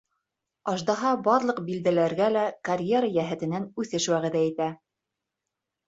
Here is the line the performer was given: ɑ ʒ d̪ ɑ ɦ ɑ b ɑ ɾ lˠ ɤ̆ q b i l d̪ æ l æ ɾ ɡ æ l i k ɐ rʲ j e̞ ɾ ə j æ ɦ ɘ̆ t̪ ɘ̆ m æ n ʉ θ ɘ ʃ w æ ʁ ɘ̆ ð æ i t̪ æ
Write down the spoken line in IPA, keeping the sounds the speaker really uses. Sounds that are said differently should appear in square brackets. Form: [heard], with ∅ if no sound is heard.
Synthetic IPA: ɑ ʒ d̪ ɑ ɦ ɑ b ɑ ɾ lˠ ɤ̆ q b i l d̪ æ l æ ɾ ɡ æ l [æ] k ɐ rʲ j e̞ ɾ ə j æ ɦ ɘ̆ t̪ ɘ̆ [n] æ n ʉ θ ɘ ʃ w æ ʁ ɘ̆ ð æ i t̪ æ